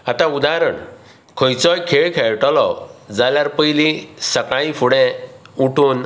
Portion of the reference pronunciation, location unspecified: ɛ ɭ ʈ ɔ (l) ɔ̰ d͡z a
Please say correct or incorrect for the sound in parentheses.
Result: correct